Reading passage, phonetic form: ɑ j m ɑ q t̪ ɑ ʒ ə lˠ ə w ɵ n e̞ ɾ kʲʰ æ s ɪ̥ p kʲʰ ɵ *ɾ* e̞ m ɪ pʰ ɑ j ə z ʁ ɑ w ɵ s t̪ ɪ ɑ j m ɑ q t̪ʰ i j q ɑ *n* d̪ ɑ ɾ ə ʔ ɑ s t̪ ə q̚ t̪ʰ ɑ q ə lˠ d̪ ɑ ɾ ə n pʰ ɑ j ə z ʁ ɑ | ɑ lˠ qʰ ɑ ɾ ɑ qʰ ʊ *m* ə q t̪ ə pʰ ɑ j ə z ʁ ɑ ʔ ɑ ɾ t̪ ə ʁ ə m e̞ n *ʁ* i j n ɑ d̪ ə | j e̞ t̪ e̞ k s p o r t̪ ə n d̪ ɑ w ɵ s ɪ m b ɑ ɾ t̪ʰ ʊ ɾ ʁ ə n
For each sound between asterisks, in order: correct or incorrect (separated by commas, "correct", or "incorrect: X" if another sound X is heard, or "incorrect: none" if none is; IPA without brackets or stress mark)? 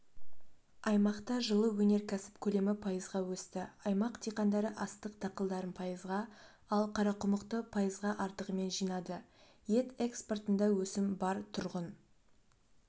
incorrect: l, correct, correct, incorrect: ʒ